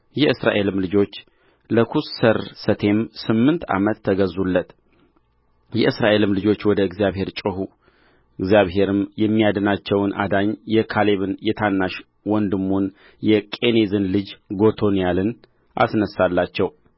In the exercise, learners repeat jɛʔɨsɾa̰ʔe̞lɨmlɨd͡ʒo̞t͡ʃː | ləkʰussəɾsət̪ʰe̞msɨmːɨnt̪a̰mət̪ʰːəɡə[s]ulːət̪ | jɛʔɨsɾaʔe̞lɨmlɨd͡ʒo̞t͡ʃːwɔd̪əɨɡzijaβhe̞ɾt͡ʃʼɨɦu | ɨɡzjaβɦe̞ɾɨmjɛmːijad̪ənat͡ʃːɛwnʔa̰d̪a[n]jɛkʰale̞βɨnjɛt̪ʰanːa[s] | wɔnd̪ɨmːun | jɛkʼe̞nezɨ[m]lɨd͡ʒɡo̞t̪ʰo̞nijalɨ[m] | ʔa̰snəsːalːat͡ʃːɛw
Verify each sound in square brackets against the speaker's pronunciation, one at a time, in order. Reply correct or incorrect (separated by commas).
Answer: incorrect, incorrect, incorrect, incorrect, incorrect